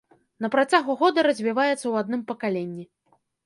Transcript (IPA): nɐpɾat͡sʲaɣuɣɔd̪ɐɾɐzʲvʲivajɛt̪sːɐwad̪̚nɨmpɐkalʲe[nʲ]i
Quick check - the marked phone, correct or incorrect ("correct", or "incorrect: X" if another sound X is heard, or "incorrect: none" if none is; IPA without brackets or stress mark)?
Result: incorrect: nʲː